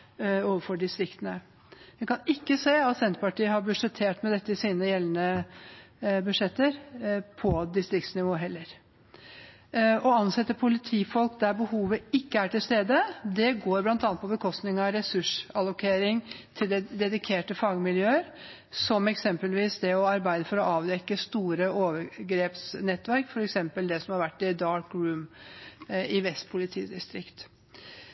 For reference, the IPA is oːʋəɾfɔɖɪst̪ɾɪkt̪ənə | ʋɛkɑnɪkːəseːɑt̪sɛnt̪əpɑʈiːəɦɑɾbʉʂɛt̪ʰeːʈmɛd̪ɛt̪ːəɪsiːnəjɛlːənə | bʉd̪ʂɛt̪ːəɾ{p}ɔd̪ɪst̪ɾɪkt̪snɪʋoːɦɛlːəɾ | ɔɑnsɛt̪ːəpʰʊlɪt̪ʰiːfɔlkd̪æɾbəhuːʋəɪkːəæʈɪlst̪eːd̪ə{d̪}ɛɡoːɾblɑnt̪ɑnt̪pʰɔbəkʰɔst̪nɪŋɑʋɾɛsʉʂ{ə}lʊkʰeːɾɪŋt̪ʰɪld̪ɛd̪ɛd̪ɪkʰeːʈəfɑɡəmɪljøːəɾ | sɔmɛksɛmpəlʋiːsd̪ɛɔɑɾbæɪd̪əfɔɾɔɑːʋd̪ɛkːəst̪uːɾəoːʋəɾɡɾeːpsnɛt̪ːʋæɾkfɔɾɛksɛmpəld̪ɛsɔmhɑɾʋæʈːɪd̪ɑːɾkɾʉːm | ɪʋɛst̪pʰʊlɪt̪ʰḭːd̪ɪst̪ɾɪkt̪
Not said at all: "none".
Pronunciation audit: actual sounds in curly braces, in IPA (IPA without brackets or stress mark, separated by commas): pʰ, d̪, ɑ